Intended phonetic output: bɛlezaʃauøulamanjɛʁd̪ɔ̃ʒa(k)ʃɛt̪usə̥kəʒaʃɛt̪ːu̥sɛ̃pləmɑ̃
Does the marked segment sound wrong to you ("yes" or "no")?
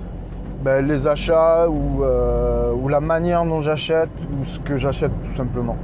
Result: yes